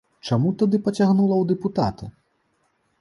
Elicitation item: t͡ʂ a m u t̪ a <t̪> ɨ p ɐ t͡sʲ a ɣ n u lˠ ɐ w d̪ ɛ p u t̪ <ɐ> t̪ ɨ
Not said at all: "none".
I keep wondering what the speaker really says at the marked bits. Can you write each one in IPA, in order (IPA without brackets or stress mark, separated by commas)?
d̪, a